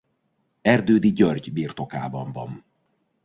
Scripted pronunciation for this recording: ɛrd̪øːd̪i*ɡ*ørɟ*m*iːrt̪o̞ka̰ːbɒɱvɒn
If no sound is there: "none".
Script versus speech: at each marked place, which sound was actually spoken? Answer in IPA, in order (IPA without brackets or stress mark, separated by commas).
ɟ, b